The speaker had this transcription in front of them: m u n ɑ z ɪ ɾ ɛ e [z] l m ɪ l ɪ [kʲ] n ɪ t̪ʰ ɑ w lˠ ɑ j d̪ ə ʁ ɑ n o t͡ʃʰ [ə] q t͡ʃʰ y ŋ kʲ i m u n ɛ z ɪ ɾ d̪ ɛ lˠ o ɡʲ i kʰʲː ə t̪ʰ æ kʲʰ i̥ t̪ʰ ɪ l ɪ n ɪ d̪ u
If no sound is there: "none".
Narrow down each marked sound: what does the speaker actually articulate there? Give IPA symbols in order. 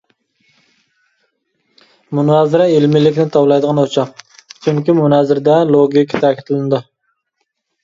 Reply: none, kʲ, ɑ

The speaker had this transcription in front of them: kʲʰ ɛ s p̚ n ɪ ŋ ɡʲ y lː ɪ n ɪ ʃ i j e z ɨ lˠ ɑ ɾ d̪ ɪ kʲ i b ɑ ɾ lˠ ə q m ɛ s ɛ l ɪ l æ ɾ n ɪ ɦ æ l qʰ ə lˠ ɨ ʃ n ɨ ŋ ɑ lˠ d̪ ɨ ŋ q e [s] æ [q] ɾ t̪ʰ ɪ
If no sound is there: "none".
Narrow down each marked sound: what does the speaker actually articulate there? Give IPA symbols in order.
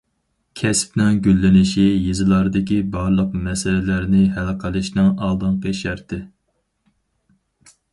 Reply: ʃ, none

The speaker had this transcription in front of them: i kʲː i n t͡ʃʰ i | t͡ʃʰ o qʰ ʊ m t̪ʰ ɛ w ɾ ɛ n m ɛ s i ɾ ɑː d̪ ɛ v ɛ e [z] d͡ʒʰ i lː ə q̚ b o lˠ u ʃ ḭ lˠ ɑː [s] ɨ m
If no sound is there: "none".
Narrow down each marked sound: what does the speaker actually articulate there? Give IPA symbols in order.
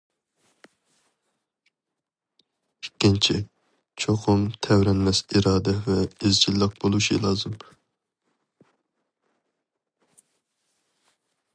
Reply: z, z

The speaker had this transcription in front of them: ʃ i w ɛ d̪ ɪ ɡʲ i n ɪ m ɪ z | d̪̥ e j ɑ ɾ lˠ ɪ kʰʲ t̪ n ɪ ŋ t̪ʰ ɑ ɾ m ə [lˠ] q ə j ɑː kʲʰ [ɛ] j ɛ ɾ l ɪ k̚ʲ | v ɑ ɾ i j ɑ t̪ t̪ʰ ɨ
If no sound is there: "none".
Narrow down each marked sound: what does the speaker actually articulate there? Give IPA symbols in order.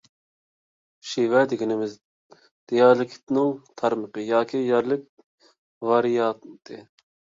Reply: none, i

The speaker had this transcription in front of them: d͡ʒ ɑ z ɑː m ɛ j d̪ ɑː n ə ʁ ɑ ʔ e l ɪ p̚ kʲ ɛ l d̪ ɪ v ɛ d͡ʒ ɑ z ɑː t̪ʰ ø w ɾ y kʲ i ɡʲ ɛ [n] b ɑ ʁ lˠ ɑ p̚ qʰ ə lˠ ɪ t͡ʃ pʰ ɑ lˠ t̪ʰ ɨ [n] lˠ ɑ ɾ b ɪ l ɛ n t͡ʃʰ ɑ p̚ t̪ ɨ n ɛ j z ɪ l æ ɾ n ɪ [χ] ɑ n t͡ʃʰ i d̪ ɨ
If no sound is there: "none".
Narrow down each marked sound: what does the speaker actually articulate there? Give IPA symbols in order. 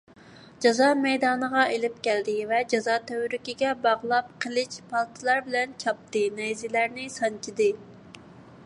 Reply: none, none, s

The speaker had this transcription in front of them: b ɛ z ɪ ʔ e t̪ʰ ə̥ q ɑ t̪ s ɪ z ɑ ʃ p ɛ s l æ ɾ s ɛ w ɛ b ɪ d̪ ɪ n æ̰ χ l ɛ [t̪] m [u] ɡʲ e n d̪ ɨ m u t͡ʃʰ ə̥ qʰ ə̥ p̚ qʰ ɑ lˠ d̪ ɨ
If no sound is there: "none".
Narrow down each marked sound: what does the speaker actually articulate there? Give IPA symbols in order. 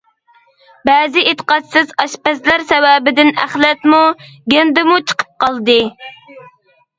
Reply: t̪, u

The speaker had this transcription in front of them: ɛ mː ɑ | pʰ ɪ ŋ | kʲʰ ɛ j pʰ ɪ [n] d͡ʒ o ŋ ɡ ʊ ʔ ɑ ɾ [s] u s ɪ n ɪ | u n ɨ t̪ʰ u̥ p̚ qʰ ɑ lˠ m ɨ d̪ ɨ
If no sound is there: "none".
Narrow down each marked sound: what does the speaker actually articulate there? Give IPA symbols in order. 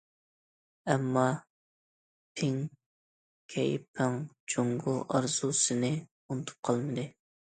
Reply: ŋ, z

